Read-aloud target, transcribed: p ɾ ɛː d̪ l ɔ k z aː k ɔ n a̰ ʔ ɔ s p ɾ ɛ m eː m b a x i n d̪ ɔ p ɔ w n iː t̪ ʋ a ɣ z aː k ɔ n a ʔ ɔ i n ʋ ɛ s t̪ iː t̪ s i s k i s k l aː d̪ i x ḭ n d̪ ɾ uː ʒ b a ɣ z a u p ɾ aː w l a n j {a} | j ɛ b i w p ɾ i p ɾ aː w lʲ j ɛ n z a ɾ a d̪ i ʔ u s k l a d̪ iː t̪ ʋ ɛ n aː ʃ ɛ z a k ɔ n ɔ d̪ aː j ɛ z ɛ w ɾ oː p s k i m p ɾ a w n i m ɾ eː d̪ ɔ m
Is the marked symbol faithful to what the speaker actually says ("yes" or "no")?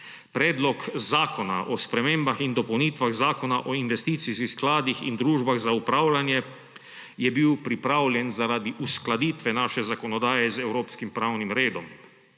no